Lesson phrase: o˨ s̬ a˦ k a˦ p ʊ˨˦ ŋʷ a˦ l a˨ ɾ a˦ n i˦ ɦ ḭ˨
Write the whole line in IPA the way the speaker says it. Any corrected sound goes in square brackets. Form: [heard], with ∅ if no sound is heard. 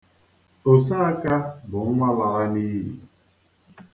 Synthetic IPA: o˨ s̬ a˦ k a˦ [b] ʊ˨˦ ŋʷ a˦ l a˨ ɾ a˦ n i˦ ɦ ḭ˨

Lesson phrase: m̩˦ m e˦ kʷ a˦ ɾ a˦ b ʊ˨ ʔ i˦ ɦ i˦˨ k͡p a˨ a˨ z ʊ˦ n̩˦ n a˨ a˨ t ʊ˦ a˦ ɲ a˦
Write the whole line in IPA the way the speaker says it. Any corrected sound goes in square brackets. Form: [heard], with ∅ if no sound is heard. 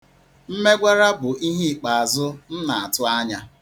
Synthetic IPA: m̩˦ m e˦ [ɡʷ] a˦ ɾ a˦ b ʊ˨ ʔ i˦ ɦ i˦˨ k͡p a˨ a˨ z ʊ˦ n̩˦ n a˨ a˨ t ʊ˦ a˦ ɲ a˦

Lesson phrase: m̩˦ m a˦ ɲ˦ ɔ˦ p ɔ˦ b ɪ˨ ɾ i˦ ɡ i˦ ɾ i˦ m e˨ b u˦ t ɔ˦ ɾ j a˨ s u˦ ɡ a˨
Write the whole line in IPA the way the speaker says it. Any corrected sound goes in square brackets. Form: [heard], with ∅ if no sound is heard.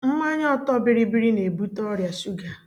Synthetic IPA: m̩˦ m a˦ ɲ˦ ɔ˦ [t] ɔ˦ b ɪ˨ ɾ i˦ [b] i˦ ɾ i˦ [n] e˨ b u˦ t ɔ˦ ɾ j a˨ s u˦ ɡ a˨

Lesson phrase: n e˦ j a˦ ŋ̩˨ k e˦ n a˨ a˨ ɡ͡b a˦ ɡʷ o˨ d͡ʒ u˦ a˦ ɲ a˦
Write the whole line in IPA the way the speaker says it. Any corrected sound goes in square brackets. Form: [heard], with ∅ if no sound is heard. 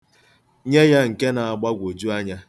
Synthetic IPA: [ɲ] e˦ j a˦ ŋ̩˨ k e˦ n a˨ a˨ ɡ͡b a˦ ɡʷ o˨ d͡ʒ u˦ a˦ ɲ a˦

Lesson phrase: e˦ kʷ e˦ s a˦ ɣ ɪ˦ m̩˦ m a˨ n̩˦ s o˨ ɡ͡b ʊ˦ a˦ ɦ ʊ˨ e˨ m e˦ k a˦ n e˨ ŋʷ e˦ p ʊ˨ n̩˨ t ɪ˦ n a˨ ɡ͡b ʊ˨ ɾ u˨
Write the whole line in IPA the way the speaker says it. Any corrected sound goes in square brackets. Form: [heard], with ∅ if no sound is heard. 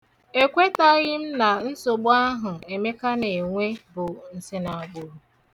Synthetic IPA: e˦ kʷ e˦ [t] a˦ ɣ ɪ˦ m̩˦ [n] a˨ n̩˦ s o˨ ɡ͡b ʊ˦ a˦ ɦ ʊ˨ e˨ m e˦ k a˦ n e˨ ŋʷ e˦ [b] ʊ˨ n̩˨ [s] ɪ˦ n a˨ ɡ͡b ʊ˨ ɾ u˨

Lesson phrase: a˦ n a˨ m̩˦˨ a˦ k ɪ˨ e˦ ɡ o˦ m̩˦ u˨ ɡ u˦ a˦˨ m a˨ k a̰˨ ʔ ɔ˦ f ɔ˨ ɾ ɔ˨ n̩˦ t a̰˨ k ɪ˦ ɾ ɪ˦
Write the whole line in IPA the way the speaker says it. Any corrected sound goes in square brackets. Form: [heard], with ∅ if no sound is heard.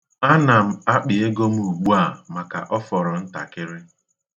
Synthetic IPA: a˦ n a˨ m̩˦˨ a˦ [k͡p] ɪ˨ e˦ ɡ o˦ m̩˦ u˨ [ɡ͡b] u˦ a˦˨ m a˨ k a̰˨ ʔ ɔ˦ f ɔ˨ ɾ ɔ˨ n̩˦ t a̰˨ k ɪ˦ ɾ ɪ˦

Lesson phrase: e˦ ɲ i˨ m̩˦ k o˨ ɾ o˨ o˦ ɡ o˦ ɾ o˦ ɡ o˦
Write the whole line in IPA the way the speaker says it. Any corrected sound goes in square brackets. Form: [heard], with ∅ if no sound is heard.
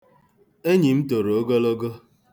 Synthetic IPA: e˦ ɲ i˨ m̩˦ [t] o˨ ɾ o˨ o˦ ɡ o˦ [l] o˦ ɡ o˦

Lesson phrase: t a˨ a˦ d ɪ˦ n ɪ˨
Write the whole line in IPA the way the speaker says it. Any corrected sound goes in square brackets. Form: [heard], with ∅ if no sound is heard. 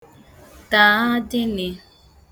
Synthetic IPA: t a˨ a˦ d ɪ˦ n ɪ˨

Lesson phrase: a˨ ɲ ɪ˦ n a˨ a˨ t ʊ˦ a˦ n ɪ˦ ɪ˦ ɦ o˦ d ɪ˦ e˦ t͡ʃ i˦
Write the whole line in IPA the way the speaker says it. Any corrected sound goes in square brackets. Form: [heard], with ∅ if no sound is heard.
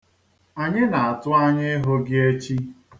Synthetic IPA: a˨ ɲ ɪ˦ n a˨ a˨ t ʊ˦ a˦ [ɲ] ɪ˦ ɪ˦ ɦ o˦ [ɡ] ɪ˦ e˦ t͡ʃ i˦

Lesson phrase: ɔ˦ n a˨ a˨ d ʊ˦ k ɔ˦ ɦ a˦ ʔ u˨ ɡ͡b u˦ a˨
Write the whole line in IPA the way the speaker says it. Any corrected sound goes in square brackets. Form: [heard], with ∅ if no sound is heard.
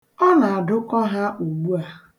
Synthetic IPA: ɔ˦ n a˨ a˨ d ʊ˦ k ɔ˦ ɦ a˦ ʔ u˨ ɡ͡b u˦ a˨

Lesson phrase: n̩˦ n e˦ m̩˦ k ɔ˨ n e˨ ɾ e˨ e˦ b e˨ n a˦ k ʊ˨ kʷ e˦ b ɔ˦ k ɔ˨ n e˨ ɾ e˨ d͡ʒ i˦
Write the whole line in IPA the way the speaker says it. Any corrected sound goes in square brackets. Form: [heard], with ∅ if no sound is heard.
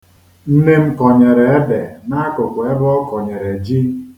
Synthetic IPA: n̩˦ n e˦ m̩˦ k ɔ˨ [ɲ] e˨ ɾ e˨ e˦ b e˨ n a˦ k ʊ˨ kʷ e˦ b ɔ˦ k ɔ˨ [ɲ] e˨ ɾ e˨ d͡ʒ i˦

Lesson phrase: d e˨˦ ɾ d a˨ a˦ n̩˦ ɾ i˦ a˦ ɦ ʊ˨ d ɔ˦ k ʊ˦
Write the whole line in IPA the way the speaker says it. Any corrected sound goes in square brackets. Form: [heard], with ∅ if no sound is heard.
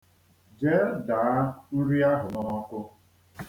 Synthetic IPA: [d͡ʒ] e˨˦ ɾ d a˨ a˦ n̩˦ ɾ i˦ a˦ ɦ ʊ˨ [n] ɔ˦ k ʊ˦

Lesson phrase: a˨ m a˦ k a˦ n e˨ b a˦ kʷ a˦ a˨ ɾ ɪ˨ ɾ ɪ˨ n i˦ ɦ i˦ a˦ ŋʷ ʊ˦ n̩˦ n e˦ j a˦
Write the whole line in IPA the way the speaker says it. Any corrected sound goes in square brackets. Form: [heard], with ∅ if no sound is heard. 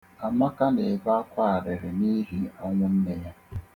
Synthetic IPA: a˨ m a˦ k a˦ n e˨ b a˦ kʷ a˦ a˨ ɾ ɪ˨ ɾ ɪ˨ n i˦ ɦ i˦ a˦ ŋʷ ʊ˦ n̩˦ n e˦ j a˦

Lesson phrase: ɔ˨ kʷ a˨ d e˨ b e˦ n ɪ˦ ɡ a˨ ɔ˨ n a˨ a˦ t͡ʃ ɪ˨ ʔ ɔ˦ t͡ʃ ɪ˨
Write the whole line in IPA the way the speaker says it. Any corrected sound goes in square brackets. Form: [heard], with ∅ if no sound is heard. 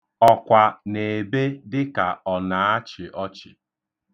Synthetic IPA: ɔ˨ kʷ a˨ [n] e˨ b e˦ [d] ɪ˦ [k] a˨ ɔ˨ n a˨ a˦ t͡ʃ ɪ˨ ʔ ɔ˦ t͡ʃ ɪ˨

